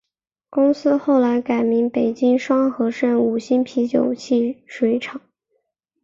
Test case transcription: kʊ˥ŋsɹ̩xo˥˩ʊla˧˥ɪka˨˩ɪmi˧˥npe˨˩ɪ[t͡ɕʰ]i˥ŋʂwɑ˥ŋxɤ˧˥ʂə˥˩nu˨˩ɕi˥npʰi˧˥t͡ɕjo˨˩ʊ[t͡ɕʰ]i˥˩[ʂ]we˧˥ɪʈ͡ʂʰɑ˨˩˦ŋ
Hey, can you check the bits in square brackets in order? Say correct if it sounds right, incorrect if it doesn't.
incorrect: t͡ɕ, correct, correct

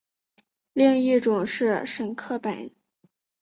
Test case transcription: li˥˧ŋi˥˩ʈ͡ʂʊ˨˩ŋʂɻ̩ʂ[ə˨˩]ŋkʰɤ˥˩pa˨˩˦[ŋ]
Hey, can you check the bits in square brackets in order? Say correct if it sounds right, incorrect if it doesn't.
correct, incorrect: n

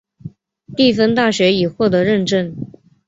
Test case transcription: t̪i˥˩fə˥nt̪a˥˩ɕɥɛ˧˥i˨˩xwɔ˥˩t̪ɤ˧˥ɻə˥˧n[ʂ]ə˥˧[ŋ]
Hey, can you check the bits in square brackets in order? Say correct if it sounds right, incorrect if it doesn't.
incorrect: ʈ͡ʂ, incorrect: n

